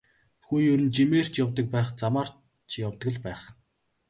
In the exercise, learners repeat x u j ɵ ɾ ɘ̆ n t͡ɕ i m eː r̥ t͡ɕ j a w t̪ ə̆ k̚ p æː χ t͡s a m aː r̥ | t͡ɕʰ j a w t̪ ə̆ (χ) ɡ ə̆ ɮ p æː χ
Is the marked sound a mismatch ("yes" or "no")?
yes